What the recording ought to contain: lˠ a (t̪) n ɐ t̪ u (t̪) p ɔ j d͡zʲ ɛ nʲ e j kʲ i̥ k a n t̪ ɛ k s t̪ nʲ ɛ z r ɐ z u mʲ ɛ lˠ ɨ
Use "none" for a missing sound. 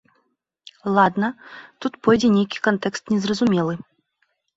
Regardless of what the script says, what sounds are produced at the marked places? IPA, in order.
d̪, t̪

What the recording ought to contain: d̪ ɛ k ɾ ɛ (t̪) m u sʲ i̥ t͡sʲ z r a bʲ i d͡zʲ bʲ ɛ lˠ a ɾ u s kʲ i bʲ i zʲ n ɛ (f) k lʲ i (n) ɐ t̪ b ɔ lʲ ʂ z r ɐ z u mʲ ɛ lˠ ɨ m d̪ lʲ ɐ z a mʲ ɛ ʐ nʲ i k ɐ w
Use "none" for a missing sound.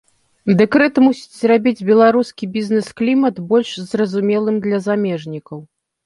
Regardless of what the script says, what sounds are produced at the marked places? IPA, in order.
t̪, s, m

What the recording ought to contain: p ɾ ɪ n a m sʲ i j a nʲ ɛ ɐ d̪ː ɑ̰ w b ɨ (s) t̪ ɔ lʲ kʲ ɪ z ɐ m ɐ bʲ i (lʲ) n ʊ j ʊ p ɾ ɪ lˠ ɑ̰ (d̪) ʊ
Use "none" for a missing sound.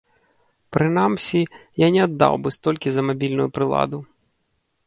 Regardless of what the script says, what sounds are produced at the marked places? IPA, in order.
s, lʲ, d̪

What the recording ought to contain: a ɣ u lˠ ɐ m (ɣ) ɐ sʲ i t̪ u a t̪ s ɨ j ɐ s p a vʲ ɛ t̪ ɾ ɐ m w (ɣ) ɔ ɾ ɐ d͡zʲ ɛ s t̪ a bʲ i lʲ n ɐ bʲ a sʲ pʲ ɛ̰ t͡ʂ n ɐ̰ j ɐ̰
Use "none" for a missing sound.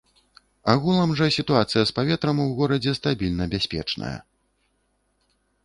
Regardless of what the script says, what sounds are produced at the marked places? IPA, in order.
ʐ, ɣ

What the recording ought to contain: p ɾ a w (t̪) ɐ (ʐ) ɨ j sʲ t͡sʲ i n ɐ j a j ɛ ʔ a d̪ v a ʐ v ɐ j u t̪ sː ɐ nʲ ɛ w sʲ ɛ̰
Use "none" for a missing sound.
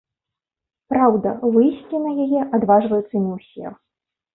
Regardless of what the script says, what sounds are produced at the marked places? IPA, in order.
d̪, v

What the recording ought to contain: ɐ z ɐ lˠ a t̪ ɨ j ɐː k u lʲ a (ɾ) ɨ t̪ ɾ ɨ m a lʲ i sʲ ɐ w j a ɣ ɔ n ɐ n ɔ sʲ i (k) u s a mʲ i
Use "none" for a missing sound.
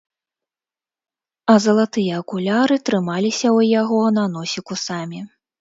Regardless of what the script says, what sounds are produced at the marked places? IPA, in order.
ɾ, k

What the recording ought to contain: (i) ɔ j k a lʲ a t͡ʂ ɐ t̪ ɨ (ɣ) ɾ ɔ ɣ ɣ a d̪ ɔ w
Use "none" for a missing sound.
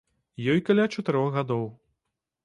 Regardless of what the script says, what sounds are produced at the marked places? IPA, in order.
j, none

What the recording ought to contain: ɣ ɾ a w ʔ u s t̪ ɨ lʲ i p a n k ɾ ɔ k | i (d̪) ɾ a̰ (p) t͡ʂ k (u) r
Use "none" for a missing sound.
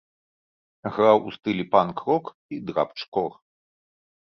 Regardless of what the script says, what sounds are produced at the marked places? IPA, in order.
d̪, p, ɔ

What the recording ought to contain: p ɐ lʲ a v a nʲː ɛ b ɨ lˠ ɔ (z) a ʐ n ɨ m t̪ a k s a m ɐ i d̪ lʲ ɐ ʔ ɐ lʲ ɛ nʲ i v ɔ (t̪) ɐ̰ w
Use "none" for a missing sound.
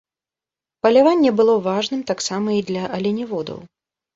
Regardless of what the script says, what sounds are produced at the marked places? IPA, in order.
v, d̪

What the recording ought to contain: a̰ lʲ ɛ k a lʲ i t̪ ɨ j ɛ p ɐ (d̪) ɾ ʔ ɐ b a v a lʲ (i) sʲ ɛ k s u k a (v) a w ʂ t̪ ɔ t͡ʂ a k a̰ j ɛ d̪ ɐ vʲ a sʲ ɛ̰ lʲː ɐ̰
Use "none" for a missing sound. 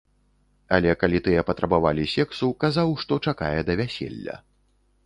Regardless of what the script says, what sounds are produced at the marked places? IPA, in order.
t̪, i, z

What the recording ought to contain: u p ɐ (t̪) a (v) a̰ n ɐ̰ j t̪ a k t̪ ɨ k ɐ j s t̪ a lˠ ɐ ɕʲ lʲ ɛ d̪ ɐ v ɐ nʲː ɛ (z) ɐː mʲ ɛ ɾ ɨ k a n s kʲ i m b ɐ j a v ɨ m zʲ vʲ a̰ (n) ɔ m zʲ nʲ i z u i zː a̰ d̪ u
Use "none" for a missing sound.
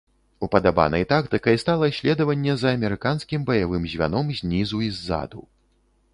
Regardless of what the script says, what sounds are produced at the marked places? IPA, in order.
d̪, b, z, n

